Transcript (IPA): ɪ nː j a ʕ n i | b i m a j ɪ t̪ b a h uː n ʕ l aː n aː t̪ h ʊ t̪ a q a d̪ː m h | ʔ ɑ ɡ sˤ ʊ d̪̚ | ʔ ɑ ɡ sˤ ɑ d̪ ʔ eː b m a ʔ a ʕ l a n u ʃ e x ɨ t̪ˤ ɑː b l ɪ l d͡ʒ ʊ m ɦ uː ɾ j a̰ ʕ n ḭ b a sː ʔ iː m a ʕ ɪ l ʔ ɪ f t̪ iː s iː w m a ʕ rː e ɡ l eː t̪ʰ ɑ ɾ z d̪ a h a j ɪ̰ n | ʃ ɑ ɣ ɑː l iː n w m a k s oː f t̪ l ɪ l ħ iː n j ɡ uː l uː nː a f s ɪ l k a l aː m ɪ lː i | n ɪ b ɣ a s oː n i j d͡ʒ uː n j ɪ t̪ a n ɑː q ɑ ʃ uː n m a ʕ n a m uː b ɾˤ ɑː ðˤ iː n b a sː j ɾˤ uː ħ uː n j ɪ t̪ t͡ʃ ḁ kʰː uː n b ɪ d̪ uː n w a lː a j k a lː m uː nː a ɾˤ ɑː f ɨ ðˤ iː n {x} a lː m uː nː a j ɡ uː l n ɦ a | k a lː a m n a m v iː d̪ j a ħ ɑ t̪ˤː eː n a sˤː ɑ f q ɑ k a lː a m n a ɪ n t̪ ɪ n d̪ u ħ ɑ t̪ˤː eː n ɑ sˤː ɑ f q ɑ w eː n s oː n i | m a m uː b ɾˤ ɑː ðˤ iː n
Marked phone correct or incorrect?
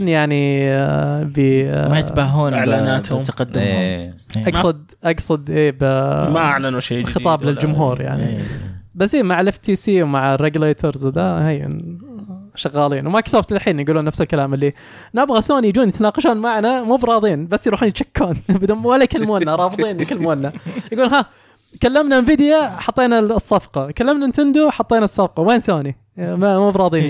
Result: incorrect